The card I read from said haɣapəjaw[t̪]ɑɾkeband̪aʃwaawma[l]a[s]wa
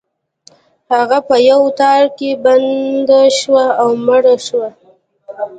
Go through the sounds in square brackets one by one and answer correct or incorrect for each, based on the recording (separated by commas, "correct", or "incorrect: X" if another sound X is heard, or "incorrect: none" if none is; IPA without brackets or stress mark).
correct, incorrect: ɽ, incorrect: ʃ